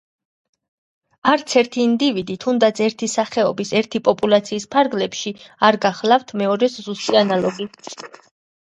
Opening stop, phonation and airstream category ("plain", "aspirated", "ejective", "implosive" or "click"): plain